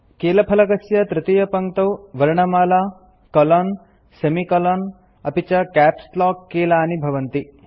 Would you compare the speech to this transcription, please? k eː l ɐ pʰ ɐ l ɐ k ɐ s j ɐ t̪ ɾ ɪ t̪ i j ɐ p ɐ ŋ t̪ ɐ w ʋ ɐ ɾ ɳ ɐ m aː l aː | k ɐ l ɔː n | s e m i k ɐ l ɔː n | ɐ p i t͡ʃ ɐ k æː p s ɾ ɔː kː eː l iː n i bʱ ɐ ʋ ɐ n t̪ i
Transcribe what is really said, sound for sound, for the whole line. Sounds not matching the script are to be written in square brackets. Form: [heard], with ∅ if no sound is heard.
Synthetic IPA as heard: k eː l ɐ pʰ ɐ l ɐ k ɐ s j ɐ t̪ ɾ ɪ t̪ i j ɐ p ɐ ŋ t̪ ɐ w ʋ ɐ ɾ ɳ ɐ m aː l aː | k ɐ l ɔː n | s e m i k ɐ l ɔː n | ɐ p i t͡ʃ ɐ k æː p s [l] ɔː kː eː l [aː] n i bʱ ɐ ʋ ɐ n t̪ i